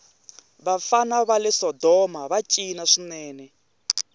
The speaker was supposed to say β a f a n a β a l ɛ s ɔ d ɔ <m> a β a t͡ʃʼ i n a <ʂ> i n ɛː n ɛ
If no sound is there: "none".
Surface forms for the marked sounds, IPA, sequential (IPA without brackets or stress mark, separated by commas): m, ʂ